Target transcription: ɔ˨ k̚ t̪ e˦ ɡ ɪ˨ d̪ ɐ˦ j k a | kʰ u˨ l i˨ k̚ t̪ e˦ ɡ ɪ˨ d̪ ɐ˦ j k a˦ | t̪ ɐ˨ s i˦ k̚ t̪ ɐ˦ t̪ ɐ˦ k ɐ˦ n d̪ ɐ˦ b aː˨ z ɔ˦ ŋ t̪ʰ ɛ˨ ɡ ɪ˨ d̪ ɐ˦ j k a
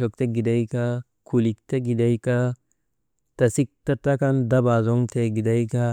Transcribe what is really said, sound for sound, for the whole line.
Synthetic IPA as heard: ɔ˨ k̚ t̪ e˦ ɡ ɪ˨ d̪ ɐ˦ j k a | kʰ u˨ l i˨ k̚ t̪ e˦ ɡ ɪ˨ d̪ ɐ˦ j k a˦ | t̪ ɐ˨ s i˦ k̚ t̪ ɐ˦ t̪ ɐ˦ k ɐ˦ n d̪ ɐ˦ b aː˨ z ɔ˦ ŋ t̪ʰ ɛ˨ ɡ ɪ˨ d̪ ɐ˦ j k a